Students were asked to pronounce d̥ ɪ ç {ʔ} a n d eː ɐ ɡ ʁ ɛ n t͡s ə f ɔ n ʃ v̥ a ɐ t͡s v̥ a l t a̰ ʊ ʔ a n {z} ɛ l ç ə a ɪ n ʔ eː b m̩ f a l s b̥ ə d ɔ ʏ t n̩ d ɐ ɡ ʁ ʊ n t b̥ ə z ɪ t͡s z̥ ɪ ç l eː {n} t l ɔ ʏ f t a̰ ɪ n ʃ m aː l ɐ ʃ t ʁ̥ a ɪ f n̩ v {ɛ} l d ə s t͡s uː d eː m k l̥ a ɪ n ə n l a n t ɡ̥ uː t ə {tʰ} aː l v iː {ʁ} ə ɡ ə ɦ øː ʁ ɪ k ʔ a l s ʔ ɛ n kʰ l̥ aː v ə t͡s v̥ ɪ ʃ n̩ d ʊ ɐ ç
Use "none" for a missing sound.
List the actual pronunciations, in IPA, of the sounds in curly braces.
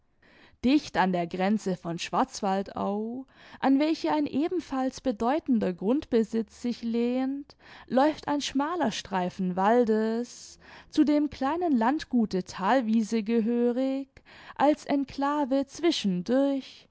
t, v, n, a, tʰ, z

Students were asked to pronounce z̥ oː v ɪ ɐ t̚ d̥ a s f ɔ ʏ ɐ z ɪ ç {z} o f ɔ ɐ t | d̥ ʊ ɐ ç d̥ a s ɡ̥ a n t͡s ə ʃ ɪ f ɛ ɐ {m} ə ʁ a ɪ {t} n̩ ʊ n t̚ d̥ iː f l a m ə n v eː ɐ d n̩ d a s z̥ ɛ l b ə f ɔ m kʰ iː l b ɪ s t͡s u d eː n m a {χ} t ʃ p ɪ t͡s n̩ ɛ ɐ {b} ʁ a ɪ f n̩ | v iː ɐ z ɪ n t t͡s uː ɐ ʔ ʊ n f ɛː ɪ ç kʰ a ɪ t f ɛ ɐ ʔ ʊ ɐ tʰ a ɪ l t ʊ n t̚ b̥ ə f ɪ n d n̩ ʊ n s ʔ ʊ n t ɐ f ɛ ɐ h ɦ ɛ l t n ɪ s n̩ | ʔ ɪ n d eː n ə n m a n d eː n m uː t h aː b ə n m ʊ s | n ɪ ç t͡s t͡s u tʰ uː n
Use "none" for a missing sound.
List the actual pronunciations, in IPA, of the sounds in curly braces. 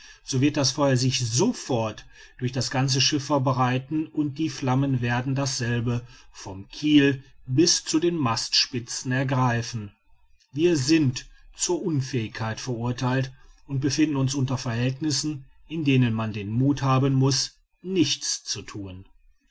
z, b, t, s, ɡ

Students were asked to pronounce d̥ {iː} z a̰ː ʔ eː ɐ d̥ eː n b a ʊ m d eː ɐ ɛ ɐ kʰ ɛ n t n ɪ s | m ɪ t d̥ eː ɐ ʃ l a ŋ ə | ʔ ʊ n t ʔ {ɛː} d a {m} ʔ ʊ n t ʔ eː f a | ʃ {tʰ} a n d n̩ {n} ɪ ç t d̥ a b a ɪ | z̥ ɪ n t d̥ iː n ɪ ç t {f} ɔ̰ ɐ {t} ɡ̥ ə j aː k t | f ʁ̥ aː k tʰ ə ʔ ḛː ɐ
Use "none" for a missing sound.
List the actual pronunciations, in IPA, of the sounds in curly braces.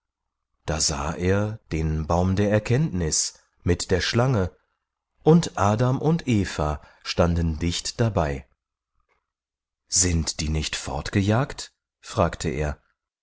aː, aː, m, t, d, f, t

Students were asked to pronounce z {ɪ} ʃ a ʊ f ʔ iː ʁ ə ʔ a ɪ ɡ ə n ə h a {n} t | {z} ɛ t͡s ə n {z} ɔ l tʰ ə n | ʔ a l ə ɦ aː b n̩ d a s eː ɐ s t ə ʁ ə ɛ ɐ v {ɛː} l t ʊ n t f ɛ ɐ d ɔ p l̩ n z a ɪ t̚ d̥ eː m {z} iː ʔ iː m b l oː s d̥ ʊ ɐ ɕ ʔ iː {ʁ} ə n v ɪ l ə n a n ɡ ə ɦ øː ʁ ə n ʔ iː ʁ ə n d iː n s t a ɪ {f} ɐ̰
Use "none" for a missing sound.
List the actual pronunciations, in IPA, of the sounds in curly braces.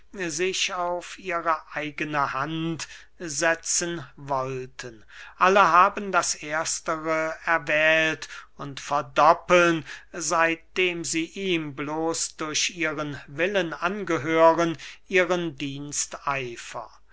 ɪ, n, z, v, ɛː, z, ʁ, f

